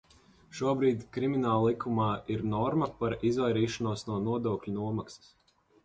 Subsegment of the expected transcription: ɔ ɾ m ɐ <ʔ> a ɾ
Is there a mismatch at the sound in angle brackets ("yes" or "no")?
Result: yes